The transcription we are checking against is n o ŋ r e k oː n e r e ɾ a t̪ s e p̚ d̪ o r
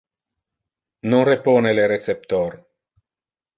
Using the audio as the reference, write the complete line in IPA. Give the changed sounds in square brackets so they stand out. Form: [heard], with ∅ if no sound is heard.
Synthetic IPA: n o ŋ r e [p] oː n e [l] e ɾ [e] t̪ s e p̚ [t̪] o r